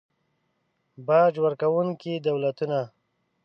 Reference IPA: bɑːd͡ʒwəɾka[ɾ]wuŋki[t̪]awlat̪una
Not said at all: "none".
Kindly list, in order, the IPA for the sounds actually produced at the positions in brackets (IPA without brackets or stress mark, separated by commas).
none, d̪